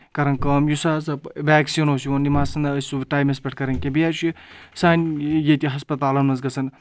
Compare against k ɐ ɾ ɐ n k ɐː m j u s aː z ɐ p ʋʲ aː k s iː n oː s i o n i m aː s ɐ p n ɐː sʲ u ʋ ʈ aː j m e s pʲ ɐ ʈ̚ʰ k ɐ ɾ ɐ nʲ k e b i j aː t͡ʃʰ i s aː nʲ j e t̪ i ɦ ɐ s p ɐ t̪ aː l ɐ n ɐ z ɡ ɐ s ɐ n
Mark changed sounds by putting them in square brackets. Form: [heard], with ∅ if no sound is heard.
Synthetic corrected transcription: k ɐ ɾ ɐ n k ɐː m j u s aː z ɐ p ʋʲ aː k s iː n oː s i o n i m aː s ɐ [∅] n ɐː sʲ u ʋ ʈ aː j m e s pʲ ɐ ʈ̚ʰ k ɐ ɾ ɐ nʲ k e b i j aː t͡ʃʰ i s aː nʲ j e t̪ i ɦ ɐ s p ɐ t̪ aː l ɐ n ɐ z ɡ ɐ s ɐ n